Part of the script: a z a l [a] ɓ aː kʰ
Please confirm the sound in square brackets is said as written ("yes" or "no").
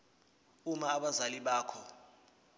no